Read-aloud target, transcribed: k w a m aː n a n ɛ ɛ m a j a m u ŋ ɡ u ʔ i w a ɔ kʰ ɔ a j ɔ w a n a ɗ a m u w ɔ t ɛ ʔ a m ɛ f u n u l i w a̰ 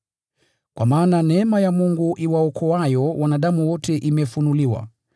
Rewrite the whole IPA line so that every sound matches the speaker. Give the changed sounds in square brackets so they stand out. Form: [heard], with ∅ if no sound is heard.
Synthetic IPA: k w a m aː n a n ɛ ɛ m a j a m u ŋ ɡ u ʔ i w a ɔ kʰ ɔ a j ɔ w a n a ɗ a m u w ɔ t ɛ ʔ [i] m ɛ f u n u l i w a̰